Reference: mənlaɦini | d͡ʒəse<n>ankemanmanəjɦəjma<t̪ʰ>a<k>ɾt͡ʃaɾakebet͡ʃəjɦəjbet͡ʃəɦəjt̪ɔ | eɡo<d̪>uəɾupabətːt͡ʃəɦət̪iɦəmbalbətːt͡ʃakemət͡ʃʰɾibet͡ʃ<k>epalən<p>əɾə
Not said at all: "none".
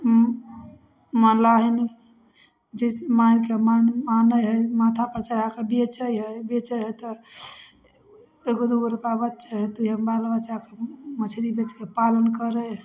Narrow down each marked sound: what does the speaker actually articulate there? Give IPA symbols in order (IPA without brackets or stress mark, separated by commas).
m, t̪ʰ, p, d̪, k, k